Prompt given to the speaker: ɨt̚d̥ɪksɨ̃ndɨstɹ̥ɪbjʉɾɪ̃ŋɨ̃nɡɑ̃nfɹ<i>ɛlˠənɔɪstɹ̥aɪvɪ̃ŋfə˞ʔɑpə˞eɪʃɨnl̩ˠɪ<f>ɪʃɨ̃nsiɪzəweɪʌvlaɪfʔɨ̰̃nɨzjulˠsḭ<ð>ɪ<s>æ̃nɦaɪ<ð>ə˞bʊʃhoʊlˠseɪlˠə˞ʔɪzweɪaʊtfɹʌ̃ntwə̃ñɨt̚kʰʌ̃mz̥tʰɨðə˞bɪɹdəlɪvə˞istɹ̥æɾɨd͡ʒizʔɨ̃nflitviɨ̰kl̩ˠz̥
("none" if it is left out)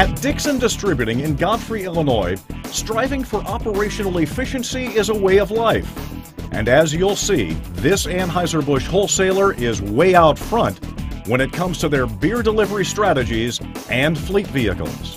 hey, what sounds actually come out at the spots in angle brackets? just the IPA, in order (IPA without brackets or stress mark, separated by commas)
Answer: i, f, ð, s, z